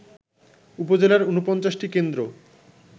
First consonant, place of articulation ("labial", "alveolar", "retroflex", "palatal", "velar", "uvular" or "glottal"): labial